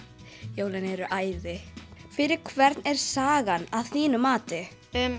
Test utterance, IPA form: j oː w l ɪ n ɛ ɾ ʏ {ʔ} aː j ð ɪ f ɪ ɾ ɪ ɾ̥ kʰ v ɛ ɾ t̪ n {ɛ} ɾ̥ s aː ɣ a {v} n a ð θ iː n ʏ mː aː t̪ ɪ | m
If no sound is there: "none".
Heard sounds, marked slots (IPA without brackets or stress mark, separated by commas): ʔ, ɛ, none